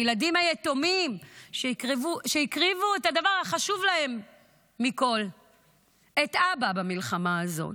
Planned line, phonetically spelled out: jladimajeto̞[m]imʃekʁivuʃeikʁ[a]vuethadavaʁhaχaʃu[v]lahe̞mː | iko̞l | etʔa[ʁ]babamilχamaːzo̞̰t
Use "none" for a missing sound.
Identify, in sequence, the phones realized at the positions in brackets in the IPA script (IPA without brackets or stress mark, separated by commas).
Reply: m, i, v, none